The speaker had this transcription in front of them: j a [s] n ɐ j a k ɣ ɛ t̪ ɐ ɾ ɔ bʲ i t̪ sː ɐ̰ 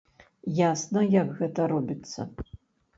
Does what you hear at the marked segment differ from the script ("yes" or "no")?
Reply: no